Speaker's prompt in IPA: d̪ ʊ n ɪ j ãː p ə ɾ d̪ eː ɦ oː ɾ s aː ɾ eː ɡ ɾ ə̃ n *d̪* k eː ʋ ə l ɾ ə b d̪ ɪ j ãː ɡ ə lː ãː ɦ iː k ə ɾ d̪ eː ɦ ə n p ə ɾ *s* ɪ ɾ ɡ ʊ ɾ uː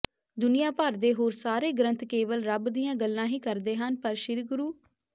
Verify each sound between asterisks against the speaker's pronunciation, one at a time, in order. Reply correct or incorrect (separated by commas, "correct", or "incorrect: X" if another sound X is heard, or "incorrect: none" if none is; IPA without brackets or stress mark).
incorrect: t̪, incorrect: ʃ